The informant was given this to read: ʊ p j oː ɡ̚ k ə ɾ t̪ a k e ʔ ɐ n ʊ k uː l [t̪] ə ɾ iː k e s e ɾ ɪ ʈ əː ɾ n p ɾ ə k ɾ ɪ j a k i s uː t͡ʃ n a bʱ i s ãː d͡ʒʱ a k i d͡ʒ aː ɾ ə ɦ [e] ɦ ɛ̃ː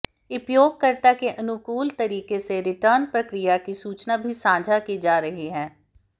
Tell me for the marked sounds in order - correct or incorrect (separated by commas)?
correct, incorrect